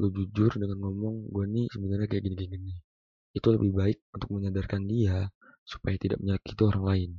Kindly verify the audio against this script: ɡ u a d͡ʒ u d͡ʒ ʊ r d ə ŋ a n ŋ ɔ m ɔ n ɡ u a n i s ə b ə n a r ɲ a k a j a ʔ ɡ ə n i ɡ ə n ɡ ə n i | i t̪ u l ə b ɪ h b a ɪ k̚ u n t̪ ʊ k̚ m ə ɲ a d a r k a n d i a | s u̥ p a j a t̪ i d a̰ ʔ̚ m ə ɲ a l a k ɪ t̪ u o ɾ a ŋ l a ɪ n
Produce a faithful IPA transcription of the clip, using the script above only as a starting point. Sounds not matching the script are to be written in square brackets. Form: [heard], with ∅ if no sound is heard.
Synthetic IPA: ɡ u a d͡ʒ u d͡ʒ ʊ r d ə ŋ a n ŋ ɔ m ɔ [ŋ] ɡ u a n i s ə b ə n a r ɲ a k a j a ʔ ɡ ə n i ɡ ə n ɡ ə n i | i t̪ u l ə b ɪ h b a ɪ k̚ u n t̪ ʊ k̚ m ə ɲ a d a r k a n d i a | s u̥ p a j a t̪ i d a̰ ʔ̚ m ə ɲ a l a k [i] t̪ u o ɾ a ŋ l a ɪ n